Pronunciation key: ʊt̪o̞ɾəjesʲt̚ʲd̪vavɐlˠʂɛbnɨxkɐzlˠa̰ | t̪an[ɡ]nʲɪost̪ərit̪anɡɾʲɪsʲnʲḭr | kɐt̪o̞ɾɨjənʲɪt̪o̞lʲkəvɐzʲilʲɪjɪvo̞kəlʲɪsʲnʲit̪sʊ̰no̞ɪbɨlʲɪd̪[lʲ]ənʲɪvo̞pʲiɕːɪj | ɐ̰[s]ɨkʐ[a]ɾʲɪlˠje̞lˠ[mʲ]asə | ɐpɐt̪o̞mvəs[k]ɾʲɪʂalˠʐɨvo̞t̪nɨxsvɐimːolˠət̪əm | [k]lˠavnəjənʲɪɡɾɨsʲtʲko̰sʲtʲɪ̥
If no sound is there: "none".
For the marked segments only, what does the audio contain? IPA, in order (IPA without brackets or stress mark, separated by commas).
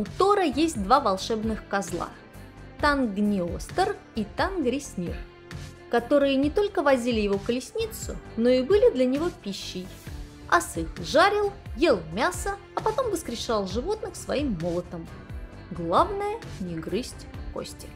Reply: ɡ, lʲ, s, a, mʲ, k, ɡ